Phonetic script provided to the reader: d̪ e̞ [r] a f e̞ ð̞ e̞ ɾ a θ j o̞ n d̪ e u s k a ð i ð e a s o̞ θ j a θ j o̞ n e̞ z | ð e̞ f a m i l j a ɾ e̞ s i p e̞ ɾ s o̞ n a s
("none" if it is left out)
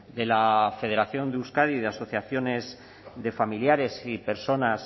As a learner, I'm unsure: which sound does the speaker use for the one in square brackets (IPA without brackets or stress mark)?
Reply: l